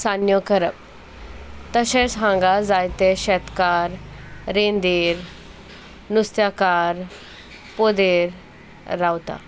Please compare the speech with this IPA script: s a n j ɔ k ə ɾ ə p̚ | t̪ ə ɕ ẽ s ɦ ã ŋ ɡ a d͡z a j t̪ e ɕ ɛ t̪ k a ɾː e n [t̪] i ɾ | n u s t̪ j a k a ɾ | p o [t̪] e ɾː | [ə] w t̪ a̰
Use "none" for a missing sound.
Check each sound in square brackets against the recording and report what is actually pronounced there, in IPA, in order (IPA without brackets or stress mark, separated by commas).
d̪, d̪, a